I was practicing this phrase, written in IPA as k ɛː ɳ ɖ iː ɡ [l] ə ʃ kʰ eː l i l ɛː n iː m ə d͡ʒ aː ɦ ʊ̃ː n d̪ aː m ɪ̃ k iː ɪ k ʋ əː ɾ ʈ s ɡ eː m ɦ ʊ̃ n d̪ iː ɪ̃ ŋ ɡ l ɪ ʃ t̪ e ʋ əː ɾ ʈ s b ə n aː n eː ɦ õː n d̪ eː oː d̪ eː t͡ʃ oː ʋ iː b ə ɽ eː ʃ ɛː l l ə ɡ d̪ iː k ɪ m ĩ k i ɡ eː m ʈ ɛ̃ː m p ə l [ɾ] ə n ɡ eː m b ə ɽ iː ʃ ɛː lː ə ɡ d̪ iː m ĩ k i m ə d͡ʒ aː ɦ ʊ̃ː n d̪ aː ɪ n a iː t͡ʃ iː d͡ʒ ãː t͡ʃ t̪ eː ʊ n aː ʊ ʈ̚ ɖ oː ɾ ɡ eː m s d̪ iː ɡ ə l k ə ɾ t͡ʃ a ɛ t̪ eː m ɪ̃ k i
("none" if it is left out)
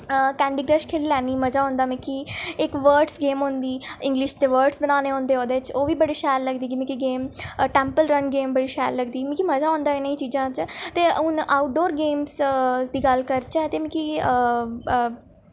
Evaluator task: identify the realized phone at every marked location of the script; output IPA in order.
ɾ, ɾ

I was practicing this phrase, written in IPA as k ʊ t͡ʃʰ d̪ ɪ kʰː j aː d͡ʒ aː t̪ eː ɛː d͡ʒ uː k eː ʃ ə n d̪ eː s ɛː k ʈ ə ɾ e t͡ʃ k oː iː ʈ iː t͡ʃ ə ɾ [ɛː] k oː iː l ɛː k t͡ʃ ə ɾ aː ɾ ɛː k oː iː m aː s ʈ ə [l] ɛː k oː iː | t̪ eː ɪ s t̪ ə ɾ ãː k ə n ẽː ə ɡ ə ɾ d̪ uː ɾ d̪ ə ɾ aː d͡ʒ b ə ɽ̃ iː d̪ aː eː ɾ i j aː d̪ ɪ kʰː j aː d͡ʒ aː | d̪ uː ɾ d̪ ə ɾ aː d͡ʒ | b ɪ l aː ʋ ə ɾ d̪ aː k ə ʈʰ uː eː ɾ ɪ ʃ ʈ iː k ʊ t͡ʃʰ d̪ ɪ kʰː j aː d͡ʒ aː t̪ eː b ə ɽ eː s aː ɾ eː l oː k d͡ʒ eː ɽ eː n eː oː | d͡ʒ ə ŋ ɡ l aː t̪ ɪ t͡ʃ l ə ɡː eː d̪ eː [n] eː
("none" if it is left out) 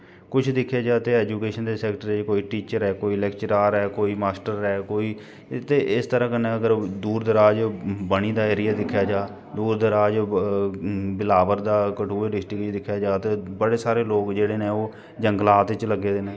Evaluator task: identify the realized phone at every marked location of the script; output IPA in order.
ɛː, ɾ, n

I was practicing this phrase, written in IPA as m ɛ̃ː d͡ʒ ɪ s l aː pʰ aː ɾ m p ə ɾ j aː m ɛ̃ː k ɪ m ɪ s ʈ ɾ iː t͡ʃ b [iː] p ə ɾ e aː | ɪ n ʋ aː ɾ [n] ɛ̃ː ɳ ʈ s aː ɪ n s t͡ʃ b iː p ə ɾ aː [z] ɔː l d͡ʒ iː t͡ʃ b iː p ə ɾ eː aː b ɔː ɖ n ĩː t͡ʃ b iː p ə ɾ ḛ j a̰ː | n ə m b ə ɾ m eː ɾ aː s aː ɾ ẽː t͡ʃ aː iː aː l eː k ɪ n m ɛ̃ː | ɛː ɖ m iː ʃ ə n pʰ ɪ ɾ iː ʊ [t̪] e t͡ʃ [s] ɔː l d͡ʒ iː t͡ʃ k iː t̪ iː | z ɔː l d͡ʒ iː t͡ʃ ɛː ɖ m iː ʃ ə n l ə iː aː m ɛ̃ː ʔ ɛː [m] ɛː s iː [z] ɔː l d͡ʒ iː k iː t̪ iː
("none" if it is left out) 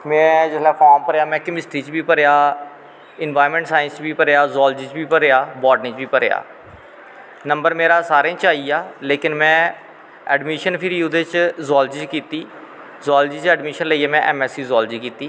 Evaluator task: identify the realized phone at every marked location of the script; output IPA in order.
iː, m, z, d̪, z, m, z

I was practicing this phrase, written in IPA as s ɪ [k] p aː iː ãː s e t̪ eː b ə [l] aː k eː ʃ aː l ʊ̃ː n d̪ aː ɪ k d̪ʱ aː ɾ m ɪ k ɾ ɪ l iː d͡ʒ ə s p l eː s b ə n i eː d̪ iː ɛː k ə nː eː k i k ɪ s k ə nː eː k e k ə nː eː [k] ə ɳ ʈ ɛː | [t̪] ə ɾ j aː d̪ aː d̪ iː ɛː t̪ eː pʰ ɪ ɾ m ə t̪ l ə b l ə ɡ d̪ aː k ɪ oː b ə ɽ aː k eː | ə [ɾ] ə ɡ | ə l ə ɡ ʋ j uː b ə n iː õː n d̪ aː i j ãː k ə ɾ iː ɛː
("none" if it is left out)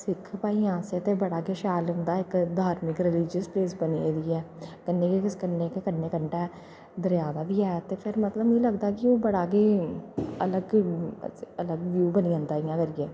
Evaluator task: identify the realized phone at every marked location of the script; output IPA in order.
kʰ, ɽ, k, d̪, l

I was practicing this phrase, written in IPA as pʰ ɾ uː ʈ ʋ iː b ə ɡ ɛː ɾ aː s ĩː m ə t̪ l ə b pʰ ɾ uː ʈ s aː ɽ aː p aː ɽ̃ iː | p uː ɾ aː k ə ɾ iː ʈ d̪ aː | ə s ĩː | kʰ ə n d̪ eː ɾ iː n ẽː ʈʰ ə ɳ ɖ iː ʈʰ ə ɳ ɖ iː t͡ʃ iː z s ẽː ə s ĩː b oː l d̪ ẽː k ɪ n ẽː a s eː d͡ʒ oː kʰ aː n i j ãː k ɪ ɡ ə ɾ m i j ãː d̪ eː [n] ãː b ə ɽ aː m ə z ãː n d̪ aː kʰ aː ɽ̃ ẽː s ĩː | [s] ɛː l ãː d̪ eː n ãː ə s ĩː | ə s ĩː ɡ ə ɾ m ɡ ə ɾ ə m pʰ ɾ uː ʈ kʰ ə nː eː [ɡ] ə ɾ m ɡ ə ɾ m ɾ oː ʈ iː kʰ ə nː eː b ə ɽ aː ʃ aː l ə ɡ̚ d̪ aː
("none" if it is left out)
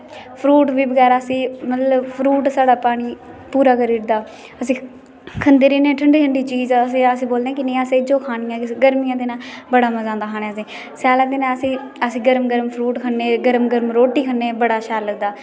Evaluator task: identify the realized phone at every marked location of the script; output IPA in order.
n, s, ɡ

